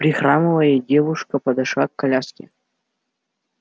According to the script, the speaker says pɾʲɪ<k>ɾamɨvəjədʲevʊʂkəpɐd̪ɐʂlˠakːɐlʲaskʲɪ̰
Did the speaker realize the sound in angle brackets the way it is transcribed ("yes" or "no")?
no